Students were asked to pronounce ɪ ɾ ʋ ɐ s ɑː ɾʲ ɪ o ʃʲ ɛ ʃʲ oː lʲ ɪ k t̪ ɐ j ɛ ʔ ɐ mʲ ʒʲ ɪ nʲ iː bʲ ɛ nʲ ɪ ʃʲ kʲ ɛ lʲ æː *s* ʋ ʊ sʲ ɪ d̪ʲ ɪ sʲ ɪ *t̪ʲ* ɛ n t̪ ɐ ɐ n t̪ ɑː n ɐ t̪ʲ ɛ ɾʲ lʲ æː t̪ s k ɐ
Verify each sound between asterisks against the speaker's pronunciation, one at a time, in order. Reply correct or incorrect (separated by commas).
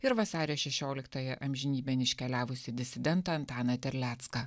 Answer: incorrect, incorrect